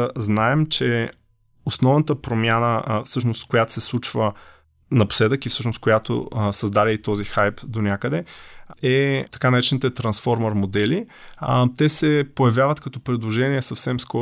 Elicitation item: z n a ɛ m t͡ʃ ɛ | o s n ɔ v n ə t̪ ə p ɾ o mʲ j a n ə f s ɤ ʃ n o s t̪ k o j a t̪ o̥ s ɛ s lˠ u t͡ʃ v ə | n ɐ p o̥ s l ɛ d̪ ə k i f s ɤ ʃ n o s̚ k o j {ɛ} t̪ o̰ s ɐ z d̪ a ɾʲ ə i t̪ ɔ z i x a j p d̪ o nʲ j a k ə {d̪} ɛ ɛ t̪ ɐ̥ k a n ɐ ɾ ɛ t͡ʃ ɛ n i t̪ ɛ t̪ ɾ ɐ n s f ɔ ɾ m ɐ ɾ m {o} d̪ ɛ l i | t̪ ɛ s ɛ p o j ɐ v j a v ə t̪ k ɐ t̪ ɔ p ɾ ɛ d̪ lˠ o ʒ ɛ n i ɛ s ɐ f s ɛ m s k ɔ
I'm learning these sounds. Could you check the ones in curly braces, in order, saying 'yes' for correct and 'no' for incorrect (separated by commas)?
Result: no, yes, yes